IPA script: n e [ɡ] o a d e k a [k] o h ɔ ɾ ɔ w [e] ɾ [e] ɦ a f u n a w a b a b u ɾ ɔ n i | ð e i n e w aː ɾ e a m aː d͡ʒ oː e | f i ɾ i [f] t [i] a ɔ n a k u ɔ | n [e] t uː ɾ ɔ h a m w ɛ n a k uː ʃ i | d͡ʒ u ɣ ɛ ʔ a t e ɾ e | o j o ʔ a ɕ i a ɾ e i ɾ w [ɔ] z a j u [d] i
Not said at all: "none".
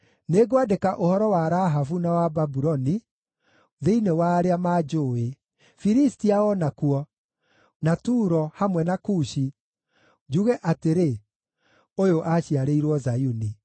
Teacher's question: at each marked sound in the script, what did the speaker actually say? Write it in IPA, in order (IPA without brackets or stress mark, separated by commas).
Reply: ɡ, ʔ, a, a, s, i, a, ɔ, n